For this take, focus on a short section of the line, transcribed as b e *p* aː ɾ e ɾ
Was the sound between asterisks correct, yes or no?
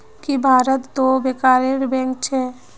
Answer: no